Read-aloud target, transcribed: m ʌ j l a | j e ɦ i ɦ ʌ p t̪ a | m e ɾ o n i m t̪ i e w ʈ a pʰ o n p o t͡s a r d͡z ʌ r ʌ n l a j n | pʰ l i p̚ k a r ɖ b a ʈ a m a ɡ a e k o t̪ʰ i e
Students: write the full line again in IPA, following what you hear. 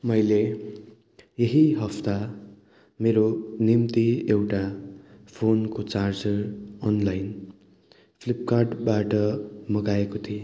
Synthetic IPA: m ʌ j l e | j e ɦ i ɦ ʌ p t̪ a | m e ɾ o n i m t̪ i e w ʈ a pʰ o n k o t͡s a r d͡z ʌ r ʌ n l a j n | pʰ l i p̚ k a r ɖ b a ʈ ʌ m ʌ ɡ a e k o t̪ʰ i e

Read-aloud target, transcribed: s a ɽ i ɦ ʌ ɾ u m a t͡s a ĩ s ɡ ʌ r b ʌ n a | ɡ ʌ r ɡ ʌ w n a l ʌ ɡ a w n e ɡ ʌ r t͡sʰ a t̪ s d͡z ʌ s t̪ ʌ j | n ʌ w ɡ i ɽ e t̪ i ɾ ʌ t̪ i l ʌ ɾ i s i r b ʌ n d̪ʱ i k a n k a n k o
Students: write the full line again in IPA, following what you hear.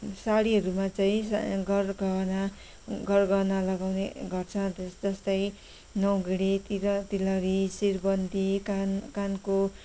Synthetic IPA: s a ɽ i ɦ ʌ ɾ u m a t͡s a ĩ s ɡ ʌ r ɡ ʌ n a | ɡ ʌ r ɡ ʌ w n a l ʌ ɡ a w n e ɡ ʌ r t͡sʰ ʌ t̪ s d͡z ʌ s t̪ ʌ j | n ʌ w ɡ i ɽ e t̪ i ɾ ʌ t̪ i l ʌ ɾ i s i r b ʌ n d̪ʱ i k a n k a n k o

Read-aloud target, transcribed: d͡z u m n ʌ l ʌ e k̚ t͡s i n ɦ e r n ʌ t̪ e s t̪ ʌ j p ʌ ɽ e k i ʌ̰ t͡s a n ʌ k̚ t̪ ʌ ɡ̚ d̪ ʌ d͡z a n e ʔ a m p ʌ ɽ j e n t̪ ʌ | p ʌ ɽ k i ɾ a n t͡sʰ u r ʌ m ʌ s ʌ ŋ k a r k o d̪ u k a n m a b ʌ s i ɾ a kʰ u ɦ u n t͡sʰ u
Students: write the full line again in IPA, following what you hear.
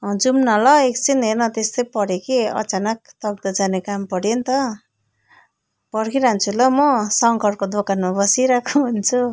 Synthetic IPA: d͡z u m n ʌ l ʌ e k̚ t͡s i n ɦ e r n ʌ t̪ e s t̪ ʌ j p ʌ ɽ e k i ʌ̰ t͡s a n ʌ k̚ t̪ ʌ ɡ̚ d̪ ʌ d͡z a n e k a m p ʌ ɽ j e n t̪ ʌ | p ʌ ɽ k i ɾ a n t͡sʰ u l ʌ m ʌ s ʌ ŋ k ʌ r k o d̪ o k a n m a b ʌ s i ɾ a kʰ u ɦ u n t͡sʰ u

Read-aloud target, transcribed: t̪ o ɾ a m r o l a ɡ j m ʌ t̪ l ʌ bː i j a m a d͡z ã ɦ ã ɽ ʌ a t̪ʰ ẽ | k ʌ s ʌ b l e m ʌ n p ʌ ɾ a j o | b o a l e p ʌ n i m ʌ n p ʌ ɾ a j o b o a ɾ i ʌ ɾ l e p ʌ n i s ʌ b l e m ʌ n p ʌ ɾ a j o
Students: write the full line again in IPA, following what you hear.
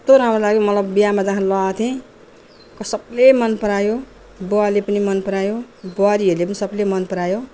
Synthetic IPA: t̪ o ɾ a m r o l a ɡ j m ʌ t̪ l ʌ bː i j a m a d͡z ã ɦ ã l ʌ a t̪ʰ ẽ | k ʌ s ʌ b l e m ʌ n p ʌ ɾ a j o | b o a l e p ʌ n i m ʌ n p ʌ ɾ a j o b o a ɾ i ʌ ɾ l e p ʌ n i s ʌ b l e m ʌ n p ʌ ɾ a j o

